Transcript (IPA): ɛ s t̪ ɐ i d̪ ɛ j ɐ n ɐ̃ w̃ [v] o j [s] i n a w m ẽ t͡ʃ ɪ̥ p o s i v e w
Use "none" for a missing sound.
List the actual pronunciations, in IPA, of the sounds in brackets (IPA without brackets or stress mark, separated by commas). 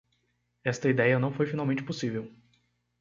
f, f